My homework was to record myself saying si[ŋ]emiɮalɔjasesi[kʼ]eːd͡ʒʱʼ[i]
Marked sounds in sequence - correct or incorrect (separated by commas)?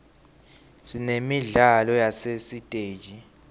incorrect, incorrect, correct